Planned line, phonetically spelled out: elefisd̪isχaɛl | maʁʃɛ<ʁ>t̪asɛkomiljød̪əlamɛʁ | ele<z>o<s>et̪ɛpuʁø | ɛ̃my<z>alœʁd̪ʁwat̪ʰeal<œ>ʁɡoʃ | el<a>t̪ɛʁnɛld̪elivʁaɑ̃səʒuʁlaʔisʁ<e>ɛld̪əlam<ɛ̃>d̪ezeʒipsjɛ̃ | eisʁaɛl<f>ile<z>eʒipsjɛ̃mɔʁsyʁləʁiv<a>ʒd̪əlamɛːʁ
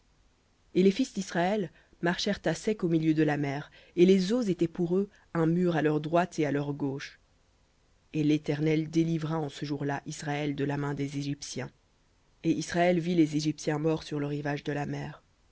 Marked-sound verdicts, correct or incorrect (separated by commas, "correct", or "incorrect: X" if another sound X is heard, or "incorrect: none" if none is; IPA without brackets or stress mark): correct, correct, incorrect: z, incorrect: ʁ, correct, incorrect: e, incorrect: a, correct, incorrect: v, correct, correct